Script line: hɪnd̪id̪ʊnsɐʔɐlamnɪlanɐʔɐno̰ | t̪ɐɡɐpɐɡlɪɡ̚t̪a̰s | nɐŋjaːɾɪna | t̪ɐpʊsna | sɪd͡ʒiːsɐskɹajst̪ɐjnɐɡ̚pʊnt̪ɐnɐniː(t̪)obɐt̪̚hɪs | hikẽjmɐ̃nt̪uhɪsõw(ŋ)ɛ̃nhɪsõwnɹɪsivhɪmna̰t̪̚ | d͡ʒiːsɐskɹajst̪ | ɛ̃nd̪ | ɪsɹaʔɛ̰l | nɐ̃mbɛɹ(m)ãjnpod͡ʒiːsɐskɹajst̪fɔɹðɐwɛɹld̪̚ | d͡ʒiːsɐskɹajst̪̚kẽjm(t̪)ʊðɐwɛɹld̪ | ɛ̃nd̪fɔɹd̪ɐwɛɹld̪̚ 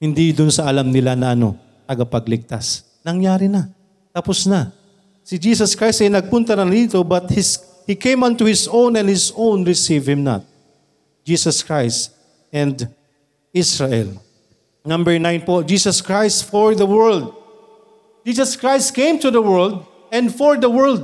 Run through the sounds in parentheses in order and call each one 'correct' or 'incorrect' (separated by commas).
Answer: correct, incorrect, incorrect, correct